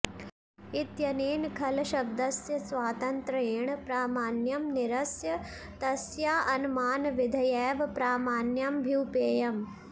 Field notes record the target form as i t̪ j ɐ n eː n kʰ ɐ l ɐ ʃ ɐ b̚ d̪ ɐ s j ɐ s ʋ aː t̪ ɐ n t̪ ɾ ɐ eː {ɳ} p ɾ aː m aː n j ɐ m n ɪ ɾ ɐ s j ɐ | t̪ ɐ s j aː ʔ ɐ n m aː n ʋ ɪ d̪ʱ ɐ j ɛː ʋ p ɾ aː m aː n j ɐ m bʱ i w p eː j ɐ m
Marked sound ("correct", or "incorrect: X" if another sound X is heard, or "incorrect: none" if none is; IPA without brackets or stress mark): correct